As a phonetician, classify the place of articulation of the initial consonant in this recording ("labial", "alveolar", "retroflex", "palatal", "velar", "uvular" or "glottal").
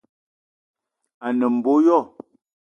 alveolar